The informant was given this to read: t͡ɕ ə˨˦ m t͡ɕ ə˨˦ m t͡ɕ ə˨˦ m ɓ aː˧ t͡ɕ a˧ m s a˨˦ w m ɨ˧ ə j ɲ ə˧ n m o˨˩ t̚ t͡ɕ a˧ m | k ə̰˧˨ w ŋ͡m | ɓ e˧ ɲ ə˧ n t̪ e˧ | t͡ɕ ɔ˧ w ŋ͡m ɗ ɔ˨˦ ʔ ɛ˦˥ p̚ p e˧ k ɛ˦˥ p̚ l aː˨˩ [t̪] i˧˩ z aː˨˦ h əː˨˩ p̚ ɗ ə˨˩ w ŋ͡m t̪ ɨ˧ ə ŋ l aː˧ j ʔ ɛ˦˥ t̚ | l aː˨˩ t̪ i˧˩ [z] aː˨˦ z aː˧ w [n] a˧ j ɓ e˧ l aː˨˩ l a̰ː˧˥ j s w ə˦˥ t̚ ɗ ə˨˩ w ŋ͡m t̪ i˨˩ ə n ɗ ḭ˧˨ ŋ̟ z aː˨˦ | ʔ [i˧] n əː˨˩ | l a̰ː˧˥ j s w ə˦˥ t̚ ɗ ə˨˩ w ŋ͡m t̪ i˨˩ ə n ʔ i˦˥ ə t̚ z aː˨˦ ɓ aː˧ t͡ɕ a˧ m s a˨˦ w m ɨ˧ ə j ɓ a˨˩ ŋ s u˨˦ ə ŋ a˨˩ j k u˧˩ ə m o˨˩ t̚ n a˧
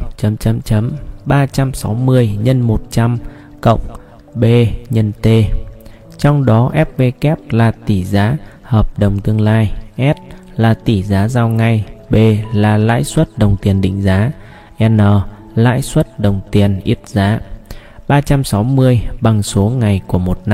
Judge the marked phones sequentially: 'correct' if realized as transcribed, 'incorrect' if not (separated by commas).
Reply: correct, correct, incorrect, incorrect